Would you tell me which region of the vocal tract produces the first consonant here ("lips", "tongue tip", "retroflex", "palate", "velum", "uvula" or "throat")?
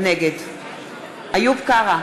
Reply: tongue tip